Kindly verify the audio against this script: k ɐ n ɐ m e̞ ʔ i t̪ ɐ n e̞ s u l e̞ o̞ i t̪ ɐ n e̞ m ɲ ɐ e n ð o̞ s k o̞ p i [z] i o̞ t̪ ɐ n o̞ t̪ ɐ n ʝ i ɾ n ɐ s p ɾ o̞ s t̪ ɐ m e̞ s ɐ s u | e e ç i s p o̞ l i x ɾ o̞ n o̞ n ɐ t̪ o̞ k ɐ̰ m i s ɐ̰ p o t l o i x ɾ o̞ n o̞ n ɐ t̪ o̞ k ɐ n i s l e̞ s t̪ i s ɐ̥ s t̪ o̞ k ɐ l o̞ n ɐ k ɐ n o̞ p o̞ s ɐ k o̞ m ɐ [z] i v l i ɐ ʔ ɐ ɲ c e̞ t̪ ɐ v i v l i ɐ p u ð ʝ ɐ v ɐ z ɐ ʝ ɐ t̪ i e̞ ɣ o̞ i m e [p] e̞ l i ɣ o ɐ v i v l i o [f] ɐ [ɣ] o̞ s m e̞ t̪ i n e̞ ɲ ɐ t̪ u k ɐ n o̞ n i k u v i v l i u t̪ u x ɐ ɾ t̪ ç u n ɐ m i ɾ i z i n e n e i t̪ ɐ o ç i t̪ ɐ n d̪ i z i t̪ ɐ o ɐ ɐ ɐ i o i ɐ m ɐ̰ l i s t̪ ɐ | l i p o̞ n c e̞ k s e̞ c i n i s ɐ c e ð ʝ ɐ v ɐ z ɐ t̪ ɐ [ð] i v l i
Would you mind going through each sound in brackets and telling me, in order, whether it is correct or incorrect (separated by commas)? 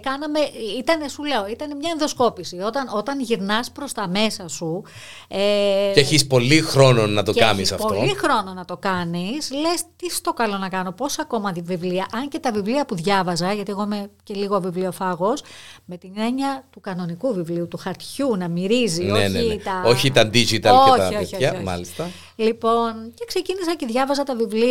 incorrect, incorrect, incorrect, correct, correct, incorrect